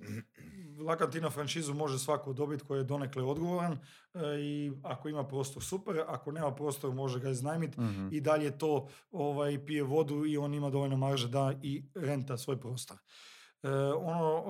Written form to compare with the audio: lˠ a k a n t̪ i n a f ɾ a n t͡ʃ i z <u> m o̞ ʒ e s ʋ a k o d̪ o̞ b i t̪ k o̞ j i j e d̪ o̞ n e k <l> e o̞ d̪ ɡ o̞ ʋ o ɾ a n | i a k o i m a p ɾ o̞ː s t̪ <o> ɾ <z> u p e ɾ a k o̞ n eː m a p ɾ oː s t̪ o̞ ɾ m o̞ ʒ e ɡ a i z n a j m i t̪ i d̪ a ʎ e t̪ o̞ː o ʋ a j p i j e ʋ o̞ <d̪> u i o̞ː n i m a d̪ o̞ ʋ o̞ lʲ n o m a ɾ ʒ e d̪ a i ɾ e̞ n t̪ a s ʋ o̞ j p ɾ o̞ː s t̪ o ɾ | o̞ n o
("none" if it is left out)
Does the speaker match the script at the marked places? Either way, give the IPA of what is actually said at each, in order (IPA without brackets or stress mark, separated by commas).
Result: u, l, o, s, d̪